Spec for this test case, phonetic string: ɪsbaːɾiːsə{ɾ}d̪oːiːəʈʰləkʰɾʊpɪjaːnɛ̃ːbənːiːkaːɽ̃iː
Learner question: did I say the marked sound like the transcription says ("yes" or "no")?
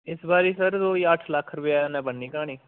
yes